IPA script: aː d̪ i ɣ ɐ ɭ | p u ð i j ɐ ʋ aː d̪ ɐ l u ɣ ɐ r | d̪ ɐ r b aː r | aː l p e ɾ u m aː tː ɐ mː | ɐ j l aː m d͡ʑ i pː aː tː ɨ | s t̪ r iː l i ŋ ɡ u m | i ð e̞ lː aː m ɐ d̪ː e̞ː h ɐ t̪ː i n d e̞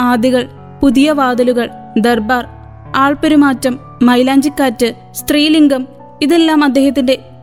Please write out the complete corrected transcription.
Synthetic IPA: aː d̪ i ɣ ɐ ɭ | p u ð i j ɐ ʋ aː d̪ ɐ l u ɣ ɐ ɭ | d̪ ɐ r b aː r | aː ɭ p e ɾ u m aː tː ɐ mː | ɐ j l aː ɲ d͡ʑ i kː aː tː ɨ | s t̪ r iː l i ŋ ɡ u m | i ð e̞ lː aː m ɐ d̪ː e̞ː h ɐ t̪ː i n d e̞